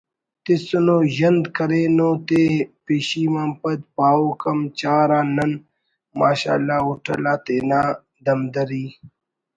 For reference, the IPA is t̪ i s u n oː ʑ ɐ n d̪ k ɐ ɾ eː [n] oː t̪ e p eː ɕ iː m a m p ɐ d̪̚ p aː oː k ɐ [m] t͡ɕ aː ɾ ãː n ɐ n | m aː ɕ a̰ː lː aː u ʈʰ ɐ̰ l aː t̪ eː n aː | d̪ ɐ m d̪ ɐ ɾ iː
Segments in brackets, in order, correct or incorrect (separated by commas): correct, correct